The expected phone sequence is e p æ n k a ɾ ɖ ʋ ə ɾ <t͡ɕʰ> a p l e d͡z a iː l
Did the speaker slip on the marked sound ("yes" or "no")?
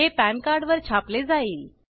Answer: no